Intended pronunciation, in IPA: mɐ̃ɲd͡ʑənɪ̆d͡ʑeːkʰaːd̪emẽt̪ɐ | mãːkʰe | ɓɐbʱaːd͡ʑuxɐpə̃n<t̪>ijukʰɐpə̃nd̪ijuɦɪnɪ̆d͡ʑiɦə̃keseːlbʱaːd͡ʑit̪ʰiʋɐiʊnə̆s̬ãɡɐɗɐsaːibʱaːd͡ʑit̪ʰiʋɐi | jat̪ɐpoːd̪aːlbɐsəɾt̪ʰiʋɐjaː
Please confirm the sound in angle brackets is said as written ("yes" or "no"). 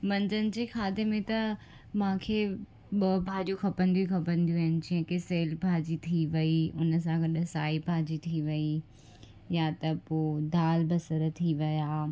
no